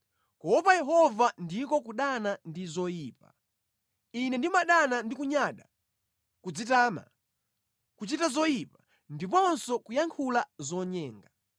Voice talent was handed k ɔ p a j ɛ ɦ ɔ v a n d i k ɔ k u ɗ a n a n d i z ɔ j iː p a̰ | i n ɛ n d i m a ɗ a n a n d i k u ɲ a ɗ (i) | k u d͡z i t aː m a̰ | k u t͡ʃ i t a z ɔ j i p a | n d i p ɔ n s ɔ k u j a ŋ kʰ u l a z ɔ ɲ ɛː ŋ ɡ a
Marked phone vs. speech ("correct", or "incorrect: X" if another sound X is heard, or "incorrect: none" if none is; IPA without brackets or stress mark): incorrect: a